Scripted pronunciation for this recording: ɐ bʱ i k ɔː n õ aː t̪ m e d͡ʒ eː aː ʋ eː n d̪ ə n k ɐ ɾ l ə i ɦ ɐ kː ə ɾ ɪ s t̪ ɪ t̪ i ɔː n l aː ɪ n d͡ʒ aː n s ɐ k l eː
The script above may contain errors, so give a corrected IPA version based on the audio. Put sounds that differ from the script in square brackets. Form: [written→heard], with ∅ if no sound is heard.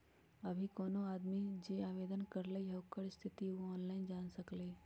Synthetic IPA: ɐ bʱ i k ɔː n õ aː [t̪→d̪] m [e→i] d͡ʒ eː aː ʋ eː [n→∅] d̪ ə n k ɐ ɾ l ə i ɦ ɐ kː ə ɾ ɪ s [t̪→t̪ʰ] ɪ t̪ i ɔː n l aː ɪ n d͡ʒ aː n s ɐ k l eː